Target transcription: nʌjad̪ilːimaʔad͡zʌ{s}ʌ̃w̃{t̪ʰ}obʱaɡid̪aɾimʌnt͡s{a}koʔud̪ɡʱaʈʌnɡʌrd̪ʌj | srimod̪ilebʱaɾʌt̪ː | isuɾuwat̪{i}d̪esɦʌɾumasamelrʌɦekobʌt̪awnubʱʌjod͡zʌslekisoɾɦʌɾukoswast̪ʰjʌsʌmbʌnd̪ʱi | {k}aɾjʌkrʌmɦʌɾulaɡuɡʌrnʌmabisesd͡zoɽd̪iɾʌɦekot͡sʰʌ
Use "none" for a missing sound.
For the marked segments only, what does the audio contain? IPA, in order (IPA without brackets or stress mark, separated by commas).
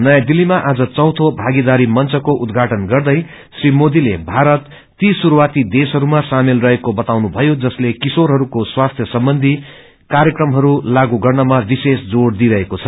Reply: t͡s, t̪ʰ, ʌ, i, k